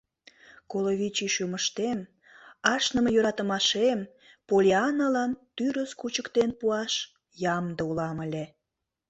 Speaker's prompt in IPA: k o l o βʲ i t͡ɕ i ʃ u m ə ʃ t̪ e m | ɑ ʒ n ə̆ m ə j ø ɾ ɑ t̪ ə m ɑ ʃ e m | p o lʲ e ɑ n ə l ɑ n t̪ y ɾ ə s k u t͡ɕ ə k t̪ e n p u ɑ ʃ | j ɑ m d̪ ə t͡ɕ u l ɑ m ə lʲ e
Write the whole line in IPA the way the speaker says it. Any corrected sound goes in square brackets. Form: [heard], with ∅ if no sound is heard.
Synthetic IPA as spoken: k o l o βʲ i t͡ɕ i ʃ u m ə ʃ t̪ e m | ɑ [ʃ] n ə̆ m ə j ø ɾ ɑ t̪ ə m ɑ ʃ e m | p o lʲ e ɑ n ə l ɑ n t̪ y ɾ ə s k u t͡ɕ ə k t̪ e n p u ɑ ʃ | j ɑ m d̪ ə [∅] u l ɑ m ə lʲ e